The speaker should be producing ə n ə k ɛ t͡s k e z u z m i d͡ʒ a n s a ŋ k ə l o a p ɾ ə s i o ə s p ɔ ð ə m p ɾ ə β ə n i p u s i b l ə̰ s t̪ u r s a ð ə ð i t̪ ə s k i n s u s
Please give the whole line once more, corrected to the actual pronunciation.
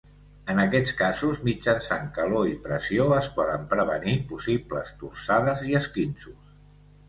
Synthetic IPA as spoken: ə n ə k ɛ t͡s k a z u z m i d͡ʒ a n s a ŋ k ə l o i p ɾ ə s i o ə s p ɔ ð ə m p ɾ ə β ə n i p u s i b l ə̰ s t̪ u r s a ð ə z i ə s k i n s u s

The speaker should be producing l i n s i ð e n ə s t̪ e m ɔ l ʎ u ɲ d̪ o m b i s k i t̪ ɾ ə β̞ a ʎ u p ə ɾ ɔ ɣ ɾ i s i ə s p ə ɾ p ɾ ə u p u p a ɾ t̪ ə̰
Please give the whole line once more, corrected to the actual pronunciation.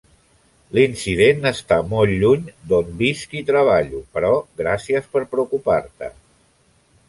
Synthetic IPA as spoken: l i n s i ð e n ə s t̪ a m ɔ l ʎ u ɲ d̪ o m b i s k i t̪ ɾ ə β̞ a ʎ u p ə ɾ ɔ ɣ ɾ a s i ə s p ə ɾ p ɾ ə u k u p a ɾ t̪ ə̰

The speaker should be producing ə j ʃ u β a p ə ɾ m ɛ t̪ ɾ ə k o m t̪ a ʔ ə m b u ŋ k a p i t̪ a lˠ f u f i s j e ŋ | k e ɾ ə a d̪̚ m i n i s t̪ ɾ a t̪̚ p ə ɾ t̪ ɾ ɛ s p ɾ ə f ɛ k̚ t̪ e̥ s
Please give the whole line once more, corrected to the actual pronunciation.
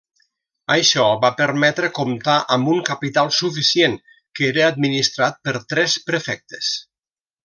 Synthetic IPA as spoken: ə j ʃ ɔ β a p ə ɾ m ɛ t̪ ɾ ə k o m t̪ a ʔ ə m b u ŋ k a p i t̪ a lˠ s u f i s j e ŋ | k e ɾ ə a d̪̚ m i n i s t̪ ɾ a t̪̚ p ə ɾ t̪ ɾ ɛ s p ɾ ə f ɛ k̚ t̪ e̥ s

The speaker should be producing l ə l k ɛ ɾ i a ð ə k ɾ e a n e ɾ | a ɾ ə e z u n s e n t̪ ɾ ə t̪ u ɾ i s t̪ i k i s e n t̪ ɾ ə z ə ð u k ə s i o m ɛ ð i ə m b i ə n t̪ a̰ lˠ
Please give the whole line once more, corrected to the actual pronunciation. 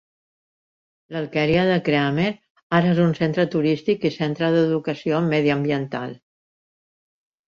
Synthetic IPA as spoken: l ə l k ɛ ɾ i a ð ə k ɾ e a m e ɾ | a ɾ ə e z u n s e n t̪ ɾ ə t̪ u ɾ i s t̪ i k i s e n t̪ ɾ ə ð ə ð u k ə s i o m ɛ ð i ə m b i ə n t̪ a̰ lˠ

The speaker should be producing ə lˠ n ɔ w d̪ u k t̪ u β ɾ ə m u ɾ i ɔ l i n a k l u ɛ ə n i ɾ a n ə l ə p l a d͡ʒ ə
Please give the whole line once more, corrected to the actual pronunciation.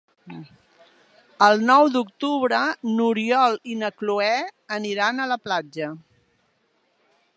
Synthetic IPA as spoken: ə lˠ n ɔ w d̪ u k t̪ u β ɾ ə n u ɾ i ɔ l i n ə k l u ɛ ə n i ɾ a n ə l ə p l a d͡ʒ ə

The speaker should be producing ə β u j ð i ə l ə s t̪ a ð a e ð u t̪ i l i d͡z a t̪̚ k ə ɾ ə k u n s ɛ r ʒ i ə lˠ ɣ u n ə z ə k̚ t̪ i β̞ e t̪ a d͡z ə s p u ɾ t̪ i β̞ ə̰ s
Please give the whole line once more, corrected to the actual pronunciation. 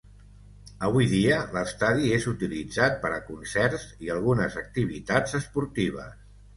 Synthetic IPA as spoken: ə β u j ð i ə l ə s t̪ a ð i e z u t̪ i l i d͡z a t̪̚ p ə ɾ ə k u n s ɛ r z i ə lˠ ɣ u n ə z ə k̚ t̪ i β̞ i t̪ a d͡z ə s p u ɾ t̪ i β̞ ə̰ s

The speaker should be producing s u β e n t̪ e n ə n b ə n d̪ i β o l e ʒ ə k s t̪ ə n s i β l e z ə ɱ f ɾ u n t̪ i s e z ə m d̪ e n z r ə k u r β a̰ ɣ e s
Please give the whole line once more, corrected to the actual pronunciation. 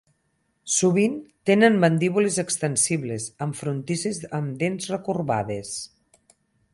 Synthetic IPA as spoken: s u β i n t̪ e n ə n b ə n d̪ i β u l e z ə k s t̪ ə n s i β l e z ə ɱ f ɾ u n t̪ i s e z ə m d̪ e n z r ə k u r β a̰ ð e s

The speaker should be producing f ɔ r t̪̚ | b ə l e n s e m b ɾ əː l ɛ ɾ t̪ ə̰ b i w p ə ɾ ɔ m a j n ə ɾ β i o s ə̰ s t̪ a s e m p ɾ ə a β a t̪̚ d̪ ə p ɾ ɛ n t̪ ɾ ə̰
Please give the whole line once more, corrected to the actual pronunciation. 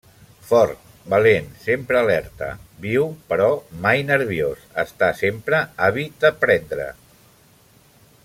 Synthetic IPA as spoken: f ɔ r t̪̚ | b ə l e n s e m p ɾ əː l ɛ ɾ t̪ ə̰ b i w p ə ɾ ɔ m a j n ə ɾ β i o s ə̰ s t̪ a s e m p ɾ ə a β i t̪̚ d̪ ə p ɾ ɛ n d̪ ɾ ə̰

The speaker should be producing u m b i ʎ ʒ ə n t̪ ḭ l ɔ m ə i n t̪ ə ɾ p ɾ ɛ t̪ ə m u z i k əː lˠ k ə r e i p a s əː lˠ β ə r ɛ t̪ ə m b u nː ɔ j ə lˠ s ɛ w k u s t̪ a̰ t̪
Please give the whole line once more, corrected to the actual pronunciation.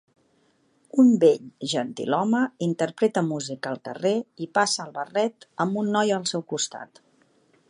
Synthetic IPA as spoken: u m b e ʎ ʒ ə n t̪ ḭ l ɔ m ə i n t̪ ə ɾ p ɾ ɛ t̪ ə m u z i k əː lˠ k ə r e i p a s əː lˠ β ə r ɛ t̪ ə m b u nː ɔ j ə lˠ s ɛ w k u s t̪ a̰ t̪

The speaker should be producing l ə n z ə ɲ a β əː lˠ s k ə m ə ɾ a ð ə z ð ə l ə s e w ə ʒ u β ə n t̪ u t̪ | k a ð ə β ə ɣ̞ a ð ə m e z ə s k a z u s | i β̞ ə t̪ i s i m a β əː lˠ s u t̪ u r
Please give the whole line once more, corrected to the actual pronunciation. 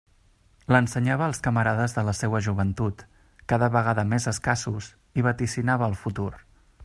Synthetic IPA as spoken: l ə n s ə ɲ a β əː lˠ s k ə m ə ɾ a ð ə z ð ə l ə s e w ə ʒ u β ə n t̪ u t̪ | k a ð ə β ə ɣ̞ a ð ə m e z ə s k a s u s | i β̞ ə t̪ i s i n a β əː lˠ f u t̪ u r

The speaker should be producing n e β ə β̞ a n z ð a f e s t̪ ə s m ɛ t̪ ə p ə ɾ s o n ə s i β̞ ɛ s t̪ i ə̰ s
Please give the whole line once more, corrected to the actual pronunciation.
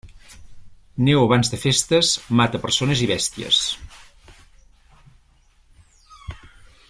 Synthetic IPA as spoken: n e w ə β̞ a n z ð ə f e s t̪ ə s m a t̪ ə p ə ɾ s o n ə z i β̞ ɛ s t̪ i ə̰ s

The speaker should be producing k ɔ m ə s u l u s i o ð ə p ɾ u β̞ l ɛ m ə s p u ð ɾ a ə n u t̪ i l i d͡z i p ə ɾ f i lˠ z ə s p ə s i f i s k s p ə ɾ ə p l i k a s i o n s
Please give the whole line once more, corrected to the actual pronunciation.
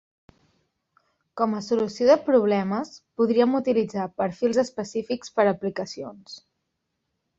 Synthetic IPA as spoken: k ɔ m ə s u l u s i o ð ə p ɾ u β̞ l ɛ m ə s p u ð ɾ i ə m u t̪ i l i d͡z a p ə ɾ f i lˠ z ə s p ə s i f i k s p ə ɾ ə p l i k ə s i o n s

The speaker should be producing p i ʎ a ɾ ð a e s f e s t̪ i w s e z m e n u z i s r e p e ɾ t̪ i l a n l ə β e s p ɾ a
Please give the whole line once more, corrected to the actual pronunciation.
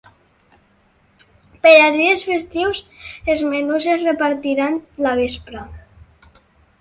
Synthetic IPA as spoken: p e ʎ a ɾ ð i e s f e s t̪ i w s e z m e n u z e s r e p a ɾ t̪ i ɾ a n l a β e s p ɾ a

